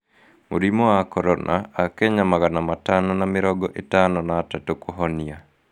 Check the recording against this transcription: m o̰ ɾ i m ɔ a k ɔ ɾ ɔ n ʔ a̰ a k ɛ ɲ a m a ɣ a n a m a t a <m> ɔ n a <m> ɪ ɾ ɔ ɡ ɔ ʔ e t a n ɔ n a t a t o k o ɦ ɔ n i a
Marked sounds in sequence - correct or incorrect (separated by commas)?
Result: incorrect, correct